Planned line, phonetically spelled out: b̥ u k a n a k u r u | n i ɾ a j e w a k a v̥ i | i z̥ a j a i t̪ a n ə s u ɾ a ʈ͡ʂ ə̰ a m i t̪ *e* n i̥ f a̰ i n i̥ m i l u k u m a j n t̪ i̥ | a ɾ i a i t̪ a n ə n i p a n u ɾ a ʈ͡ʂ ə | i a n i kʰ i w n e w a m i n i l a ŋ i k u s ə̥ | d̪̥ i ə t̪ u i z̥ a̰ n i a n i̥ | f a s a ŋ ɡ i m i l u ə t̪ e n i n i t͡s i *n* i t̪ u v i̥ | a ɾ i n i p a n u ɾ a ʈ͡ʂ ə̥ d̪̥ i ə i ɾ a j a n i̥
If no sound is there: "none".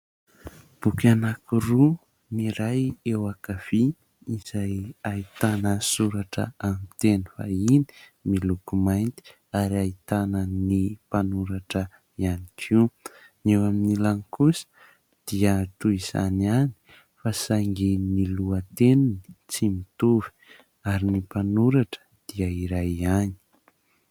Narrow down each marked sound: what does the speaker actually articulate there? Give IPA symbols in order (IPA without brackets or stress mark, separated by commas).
e, m